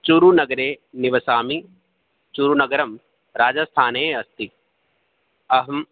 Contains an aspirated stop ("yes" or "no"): yes